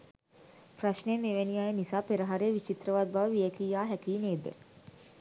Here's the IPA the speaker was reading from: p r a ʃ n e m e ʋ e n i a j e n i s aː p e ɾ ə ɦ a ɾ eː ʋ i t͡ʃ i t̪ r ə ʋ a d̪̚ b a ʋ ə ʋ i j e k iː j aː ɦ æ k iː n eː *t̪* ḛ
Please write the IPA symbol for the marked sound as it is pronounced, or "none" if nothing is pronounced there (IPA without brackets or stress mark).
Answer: d̪